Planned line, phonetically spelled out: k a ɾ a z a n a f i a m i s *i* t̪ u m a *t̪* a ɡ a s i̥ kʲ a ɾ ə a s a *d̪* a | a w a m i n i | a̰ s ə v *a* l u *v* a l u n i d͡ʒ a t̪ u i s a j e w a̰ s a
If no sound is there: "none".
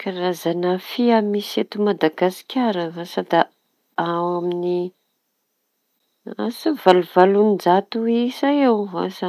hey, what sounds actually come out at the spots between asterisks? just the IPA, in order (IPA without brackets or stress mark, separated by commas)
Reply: e, d̪, d̪, a, v